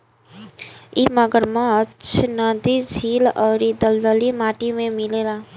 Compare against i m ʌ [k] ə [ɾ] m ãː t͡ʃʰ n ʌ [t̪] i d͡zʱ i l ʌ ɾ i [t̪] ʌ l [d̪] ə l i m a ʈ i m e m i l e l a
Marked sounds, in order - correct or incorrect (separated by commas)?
incorrect, correct, incorrect, incorrect, correct